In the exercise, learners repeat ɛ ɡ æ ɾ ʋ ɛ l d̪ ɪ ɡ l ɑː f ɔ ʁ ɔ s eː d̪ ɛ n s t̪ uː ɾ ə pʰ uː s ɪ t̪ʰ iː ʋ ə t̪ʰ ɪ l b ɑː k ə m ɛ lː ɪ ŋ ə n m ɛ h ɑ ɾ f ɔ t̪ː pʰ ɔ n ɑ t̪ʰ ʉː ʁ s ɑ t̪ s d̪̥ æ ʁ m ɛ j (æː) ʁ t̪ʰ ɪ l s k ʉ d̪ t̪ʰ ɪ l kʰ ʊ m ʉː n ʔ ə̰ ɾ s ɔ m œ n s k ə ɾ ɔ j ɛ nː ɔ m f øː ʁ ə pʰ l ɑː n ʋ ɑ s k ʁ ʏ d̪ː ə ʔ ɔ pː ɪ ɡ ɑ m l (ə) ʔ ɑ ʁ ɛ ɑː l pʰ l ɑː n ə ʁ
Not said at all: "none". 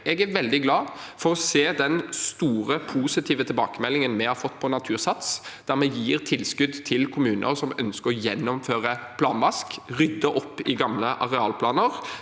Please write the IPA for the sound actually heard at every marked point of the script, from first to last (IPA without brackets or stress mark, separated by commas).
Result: iː, ə